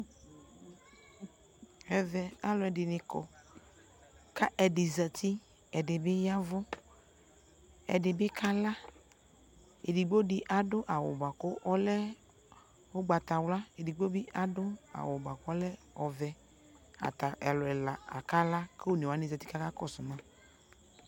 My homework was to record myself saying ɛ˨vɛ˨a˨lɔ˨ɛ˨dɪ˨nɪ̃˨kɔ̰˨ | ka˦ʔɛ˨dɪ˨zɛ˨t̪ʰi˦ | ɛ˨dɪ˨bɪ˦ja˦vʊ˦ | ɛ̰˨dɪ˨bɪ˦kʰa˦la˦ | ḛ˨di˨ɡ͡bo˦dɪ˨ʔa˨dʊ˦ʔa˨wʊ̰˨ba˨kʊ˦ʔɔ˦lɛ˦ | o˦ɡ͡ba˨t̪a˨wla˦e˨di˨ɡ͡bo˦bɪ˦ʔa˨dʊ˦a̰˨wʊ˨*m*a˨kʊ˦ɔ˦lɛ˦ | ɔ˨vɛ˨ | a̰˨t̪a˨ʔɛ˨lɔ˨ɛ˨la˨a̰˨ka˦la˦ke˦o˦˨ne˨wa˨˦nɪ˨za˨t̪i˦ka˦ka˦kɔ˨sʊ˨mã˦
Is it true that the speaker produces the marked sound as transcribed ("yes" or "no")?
no